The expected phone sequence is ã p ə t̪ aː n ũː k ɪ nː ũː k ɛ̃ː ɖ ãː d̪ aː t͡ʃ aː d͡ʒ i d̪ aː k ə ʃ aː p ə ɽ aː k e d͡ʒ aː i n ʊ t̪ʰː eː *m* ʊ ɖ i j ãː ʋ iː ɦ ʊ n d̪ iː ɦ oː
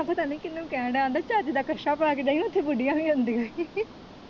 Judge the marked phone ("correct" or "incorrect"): incorrect